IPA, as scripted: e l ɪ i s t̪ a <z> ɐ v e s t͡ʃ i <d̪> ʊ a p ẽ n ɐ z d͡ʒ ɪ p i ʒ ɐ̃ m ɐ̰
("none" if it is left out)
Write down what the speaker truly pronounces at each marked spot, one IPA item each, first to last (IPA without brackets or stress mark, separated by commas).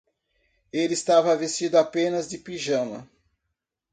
v, d̪